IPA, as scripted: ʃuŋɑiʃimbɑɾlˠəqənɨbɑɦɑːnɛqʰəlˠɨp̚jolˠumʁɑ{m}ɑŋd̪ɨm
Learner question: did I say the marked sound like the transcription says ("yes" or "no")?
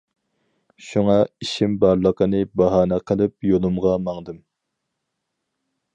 yes